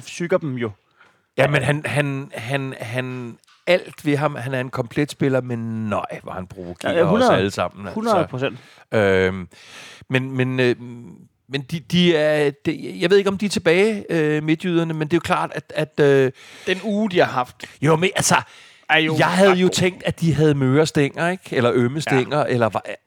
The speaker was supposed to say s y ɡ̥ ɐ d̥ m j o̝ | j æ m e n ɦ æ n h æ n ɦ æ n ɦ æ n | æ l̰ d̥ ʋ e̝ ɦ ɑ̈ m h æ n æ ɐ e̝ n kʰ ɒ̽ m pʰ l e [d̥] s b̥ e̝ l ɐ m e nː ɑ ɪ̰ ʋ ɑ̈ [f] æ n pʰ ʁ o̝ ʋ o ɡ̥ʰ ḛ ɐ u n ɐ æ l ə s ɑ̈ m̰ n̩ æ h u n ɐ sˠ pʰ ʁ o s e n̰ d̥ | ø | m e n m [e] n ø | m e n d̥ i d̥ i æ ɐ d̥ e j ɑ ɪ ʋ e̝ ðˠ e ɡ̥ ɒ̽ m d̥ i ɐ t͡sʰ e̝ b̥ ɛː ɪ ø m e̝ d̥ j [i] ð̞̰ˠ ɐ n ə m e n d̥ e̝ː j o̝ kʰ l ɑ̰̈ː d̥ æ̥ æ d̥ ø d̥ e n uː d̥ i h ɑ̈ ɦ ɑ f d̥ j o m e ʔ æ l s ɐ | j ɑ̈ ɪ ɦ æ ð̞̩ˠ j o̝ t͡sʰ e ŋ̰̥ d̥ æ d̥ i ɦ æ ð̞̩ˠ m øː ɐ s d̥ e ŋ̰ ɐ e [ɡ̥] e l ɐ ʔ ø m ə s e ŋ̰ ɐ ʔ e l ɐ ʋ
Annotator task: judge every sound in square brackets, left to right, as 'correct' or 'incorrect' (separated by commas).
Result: correct, incorrect, correct, incorrect, correct